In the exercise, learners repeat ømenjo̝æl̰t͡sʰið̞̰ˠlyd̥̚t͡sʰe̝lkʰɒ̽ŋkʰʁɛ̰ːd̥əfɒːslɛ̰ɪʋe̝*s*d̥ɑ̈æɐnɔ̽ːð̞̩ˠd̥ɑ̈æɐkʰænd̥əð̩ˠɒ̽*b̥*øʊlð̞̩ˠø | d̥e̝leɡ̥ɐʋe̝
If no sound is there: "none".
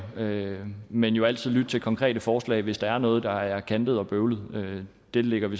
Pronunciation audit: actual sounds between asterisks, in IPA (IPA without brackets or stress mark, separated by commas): s, b̥